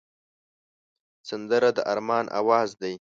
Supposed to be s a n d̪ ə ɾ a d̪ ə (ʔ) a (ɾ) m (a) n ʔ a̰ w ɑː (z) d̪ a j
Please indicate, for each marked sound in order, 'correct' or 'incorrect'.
correct, correct, incorrect, correct

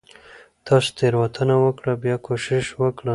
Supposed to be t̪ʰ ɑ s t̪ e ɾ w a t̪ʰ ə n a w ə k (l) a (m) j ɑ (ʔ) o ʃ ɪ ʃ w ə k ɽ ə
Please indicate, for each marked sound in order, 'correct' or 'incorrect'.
incorrect, incorrect, incorrect

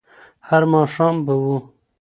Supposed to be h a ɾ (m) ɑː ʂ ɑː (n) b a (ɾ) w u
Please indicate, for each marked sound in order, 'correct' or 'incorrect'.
correct, incorrect, incorrect

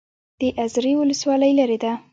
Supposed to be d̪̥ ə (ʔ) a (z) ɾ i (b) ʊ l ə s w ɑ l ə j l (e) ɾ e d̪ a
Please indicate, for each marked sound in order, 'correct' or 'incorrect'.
correct, correct, incorrect, incorrect

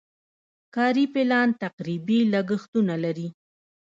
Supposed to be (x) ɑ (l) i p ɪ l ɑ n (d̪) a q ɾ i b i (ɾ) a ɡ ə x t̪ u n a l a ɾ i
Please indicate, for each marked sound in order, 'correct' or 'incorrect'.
incorrect, incorrect, incorrect, incorrect

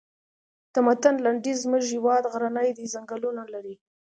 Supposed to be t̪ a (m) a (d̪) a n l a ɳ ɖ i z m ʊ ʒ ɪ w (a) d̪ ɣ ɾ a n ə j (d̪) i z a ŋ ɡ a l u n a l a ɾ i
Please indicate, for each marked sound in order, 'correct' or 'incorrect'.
correct, incorrect, incorrect, correct

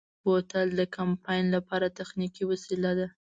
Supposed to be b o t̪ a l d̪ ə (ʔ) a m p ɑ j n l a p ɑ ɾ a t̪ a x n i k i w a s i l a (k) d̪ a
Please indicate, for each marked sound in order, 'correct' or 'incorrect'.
incorrect, incorrect

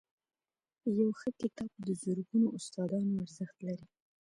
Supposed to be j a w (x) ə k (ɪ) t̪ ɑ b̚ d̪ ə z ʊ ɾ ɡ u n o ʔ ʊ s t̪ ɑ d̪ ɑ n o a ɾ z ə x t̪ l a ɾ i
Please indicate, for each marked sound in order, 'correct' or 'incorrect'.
correct, correct

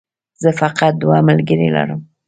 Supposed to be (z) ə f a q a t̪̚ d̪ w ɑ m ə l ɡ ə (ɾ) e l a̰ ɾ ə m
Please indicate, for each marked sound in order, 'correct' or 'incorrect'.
correct, correct

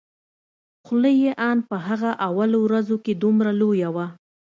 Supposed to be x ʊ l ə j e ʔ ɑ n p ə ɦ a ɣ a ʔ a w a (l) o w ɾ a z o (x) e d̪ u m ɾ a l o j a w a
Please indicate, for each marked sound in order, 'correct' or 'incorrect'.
correct, incorrect

